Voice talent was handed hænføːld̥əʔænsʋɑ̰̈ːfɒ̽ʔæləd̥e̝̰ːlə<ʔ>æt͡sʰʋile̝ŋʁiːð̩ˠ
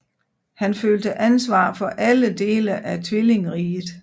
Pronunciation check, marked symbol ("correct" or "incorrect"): correct